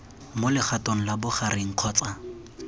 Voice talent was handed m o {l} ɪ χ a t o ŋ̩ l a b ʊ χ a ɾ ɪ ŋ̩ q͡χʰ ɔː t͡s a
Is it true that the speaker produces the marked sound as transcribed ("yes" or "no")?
yes